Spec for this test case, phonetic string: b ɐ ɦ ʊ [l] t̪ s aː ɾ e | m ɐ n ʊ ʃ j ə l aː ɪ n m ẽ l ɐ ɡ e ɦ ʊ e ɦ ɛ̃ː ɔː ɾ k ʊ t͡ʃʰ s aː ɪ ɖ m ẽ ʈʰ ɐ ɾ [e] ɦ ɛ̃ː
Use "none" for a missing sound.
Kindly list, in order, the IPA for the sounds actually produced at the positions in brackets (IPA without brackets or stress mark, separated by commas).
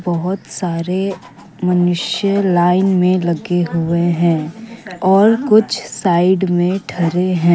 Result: none, e